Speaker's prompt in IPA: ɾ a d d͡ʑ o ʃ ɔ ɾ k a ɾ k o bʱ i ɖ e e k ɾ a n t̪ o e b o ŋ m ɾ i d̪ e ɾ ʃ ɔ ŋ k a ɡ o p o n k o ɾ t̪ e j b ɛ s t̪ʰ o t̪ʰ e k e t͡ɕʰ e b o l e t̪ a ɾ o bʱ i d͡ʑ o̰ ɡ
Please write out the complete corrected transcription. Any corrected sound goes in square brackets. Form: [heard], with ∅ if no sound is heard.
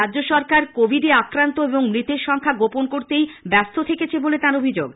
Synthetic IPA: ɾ a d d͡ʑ o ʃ ɔ ɾ k a ɾ k o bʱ i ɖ e [a] k ɾ a n t̪ o e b o ŋ m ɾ i [t̪] e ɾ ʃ ɔ ŋ [kʰ] a ɡ o p o n k o ɾ t̪ e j b ɛ s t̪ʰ o t̪ʰ e k e t͡ɕʰ e b o l e t̪ a ɾ o bʱ i d͡ʑ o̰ ɡ

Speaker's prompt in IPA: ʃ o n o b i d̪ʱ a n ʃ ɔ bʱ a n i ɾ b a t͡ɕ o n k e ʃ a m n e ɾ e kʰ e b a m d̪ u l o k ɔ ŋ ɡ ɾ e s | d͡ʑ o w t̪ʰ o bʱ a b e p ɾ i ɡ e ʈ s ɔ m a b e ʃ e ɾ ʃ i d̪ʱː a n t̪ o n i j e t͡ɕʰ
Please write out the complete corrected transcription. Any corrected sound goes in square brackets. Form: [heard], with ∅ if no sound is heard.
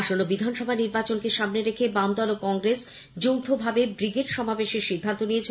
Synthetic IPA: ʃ o n o b i d̪ʱ a n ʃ ɔ bʱ a n i ɾ b a t͡ɕ o n k e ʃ a m n e ɾ e kʰ e b a m d̪ [ɔ] l o k ɔ ŋ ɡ ɾ e s | d͡ʑ o w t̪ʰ o bʱ a b e [b] ɾ i ɡ e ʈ [ʃ] ɔ m a b e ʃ e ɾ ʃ i d̪ʱː a n t̪ o n i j e t͡ɕʰ

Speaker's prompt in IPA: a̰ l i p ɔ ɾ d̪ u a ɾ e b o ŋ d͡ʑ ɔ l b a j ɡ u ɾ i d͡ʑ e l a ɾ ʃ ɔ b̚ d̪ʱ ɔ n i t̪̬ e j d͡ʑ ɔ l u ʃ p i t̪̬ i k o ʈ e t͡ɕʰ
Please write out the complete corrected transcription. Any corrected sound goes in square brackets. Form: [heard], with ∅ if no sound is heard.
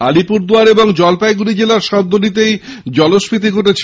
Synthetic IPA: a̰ l i p [u] ɾ d̪ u a ɾ e b o ŋ d͡ʑ ɔ l [p] a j ɡ u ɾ i d͡ʑ e l a ɾ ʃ ɔ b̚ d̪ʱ [o] n i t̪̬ e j d͡ʑ ɔ l [o] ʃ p i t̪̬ i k o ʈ e t͡ɕʰ

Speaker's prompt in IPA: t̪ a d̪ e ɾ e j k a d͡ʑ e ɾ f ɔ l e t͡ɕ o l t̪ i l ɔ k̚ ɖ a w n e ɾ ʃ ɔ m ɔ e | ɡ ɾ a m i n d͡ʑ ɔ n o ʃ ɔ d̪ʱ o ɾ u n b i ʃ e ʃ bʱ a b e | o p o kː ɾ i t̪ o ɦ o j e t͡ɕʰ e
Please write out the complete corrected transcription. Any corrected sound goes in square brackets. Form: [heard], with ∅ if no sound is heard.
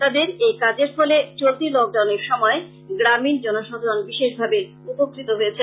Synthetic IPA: t̪ a d̪ e ɾ e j k a d͡ʑ e ɾ f ɔ l e t͡ɕ o l t̪ i l ɔ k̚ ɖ a w n e ɾ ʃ ɔ m ɔ e | ɡ ɾ a m i n d͡ʑ ɔ n o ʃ ɔ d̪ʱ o ɾ [o] n b i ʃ e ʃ bʱ a b e | [u] p o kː ɾ i t̪ o ɦ o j e t͡ɕʰ e

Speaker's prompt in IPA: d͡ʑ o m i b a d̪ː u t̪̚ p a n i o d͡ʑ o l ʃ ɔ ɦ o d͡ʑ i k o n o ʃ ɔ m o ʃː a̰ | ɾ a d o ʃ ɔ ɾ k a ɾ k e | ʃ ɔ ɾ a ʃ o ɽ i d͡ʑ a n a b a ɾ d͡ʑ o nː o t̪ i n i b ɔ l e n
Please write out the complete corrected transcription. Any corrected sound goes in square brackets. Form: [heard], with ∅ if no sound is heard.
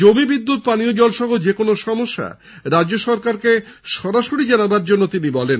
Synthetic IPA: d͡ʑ o m i b [i] d̪ː u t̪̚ p a n i o d͡ʑ [ɔ] l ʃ ɔ ɦ o d͡ʑ [e] k o n o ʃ ɔ m o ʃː a̰ | ɾ a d o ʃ ɔ ɾ k a ɾ k e | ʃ ɔ ɾ a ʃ o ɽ i d͡ʑ a n a b a ɾ d͡ʑ o nː o t̪ i n i b ɔ l e n

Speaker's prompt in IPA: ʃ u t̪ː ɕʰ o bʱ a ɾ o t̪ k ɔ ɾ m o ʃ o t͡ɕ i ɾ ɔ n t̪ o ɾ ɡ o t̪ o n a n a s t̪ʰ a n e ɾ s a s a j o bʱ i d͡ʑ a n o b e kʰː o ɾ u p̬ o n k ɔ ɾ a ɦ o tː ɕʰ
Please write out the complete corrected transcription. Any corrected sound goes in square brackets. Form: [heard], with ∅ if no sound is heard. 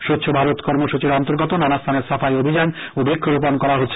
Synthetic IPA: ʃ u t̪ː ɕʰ o bʱ a ɾ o t̪ k ɔ ɾ m o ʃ [u] t͡ɕ i ɾ ɔ n t̪ o ɾ ɡ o t̪ o n a n a s t̪ʰ a n e ɾ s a [f] a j o bʱ i d͡ʑ a n o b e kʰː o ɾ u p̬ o n k ɔ ɾ a ɦ o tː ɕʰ

